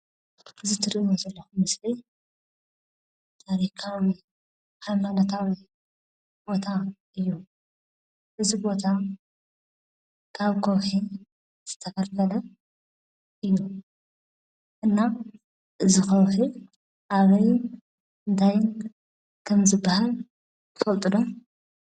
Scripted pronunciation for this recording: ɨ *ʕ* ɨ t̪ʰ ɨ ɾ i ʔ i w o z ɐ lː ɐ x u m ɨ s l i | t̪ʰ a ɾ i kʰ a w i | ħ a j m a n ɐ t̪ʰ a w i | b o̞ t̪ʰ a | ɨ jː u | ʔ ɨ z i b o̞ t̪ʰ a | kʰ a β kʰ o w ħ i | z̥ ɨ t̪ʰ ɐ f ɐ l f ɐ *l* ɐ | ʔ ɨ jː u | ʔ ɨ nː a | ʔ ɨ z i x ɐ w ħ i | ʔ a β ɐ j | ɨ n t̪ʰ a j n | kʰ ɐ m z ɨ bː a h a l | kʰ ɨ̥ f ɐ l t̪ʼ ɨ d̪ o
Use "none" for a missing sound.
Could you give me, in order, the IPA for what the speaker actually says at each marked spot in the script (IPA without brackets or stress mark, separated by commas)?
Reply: z, l